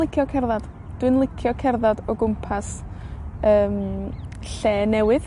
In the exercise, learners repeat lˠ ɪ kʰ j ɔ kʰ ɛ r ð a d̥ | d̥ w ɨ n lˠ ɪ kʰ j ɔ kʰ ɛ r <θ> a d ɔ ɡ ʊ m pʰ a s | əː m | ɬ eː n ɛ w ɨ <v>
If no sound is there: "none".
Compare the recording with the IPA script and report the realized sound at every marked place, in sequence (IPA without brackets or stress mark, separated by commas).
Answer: ð, ð